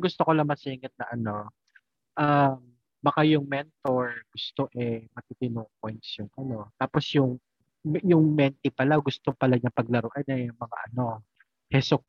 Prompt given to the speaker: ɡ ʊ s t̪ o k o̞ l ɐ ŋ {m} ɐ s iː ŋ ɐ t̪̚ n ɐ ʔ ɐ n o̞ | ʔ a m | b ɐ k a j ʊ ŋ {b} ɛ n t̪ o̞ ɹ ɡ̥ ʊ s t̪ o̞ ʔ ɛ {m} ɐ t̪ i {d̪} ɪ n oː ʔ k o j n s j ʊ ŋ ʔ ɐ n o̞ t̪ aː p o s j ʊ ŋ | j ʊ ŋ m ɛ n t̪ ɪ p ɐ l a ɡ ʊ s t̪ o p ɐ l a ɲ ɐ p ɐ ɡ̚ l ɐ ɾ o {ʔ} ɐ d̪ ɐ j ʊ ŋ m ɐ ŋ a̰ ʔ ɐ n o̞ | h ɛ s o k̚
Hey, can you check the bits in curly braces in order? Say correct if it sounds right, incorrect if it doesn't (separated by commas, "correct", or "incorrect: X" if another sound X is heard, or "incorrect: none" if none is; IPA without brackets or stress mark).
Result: correct, incorrect: m, correct, incorrect: t̪, correct